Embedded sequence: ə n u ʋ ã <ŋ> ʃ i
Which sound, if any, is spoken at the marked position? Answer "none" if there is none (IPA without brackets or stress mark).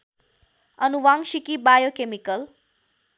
ŋ